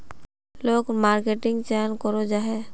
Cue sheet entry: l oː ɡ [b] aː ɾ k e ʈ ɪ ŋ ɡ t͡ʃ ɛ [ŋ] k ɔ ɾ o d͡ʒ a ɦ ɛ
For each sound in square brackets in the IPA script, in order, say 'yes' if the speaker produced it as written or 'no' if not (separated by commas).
no, no